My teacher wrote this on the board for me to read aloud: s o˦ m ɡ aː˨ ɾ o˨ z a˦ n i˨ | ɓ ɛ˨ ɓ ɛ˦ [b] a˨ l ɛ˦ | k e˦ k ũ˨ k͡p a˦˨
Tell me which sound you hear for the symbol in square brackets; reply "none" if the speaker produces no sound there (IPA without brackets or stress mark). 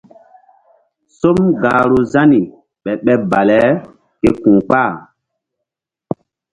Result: b